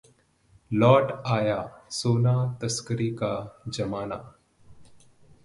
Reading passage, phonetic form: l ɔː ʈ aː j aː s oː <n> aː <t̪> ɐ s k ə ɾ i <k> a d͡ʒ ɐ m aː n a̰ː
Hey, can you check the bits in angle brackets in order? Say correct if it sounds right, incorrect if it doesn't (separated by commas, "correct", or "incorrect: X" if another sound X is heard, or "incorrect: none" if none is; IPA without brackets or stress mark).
correct, correct, correct